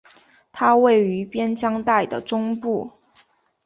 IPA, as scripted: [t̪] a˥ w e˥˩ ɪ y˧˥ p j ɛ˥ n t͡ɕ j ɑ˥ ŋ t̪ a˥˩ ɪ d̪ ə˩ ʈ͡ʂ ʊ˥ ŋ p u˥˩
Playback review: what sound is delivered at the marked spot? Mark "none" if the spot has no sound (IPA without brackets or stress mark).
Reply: t̪ʰ